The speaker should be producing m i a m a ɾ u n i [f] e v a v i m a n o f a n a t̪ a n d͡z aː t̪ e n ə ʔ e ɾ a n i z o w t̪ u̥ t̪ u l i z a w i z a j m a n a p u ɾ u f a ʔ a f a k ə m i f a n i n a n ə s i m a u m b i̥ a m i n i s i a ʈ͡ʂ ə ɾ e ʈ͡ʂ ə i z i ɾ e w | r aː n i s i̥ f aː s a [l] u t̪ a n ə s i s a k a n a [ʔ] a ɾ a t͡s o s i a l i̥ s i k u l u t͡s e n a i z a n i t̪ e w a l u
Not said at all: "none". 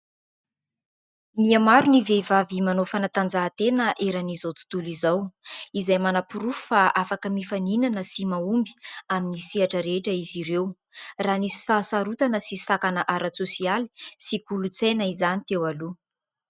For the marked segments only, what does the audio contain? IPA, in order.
v, ɾ, ʔ

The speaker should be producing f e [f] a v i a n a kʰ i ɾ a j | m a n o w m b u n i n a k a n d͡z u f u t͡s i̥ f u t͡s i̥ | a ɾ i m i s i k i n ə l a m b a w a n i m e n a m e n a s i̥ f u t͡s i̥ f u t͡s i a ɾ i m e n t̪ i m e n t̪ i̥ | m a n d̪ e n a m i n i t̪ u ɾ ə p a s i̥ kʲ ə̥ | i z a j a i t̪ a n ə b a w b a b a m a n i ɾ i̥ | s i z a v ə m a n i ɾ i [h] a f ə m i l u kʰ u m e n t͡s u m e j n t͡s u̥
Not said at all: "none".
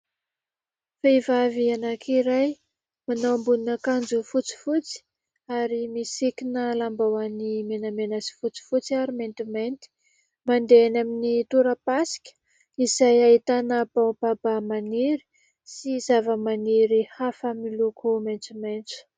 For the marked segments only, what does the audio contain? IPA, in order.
v, h

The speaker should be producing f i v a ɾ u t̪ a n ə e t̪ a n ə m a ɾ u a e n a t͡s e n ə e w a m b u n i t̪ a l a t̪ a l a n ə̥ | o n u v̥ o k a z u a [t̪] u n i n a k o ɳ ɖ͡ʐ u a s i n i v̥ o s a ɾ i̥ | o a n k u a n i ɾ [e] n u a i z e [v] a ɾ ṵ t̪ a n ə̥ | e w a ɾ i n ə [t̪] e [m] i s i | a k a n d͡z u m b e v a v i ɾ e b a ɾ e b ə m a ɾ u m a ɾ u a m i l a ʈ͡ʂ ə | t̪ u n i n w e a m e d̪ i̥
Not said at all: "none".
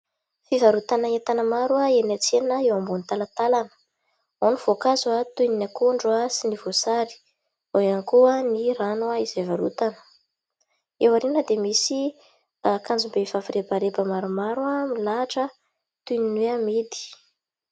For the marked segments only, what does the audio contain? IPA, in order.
t̪, a, v, d̪, m

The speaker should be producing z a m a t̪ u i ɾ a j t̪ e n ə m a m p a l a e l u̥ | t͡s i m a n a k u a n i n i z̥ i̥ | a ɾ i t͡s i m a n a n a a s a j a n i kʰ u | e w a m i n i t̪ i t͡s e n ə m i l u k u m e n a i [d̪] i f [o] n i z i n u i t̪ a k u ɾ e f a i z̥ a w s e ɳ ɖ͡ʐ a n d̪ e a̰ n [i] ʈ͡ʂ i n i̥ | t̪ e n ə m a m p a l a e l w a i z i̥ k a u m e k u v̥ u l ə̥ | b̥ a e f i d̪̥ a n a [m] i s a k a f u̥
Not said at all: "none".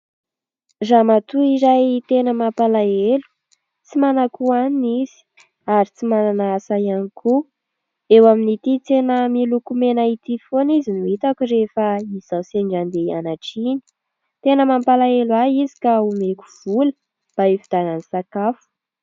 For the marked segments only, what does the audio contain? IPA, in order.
t̪, o, a, n

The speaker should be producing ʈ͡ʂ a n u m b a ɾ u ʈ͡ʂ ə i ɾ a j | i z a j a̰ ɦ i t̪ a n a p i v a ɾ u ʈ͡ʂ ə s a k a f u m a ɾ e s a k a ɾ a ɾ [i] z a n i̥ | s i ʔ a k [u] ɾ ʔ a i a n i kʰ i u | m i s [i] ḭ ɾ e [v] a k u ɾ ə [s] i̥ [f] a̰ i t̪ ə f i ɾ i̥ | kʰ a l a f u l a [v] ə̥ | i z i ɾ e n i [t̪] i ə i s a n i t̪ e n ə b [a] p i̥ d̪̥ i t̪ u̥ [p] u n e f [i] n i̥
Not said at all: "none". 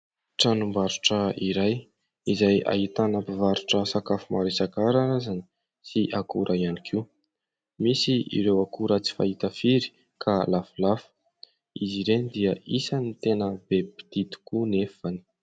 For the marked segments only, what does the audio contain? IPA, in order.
a, u, i, w, t͡s, f, f, d̪, e, k, a

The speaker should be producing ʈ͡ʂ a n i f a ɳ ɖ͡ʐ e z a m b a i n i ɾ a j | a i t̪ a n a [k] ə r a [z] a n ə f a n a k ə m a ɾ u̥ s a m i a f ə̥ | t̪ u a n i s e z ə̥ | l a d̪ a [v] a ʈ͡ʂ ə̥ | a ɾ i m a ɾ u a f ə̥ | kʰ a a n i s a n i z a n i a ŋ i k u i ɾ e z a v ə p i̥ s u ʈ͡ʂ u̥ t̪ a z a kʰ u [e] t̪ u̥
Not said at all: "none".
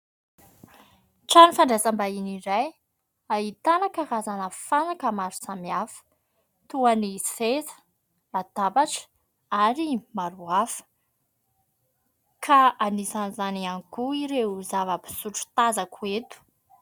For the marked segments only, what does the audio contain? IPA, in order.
k, z, b, e

